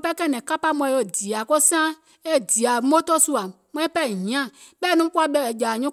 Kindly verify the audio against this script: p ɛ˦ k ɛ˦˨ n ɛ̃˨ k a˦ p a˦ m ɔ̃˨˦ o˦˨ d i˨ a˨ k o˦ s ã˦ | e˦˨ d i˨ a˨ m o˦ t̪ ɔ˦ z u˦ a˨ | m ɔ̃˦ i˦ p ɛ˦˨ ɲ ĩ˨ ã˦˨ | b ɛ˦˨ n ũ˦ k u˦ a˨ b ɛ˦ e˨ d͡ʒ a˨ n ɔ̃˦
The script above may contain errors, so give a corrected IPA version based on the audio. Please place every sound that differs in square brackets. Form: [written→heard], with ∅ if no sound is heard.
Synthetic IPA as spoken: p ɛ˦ k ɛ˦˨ n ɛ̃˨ k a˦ p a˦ m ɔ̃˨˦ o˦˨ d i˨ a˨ k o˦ s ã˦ | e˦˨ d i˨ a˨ m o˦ t̪ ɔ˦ [z→s] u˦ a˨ | m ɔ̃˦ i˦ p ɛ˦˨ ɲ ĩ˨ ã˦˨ | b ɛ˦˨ n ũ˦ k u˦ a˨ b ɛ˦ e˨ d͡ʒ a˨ [n→ɲ] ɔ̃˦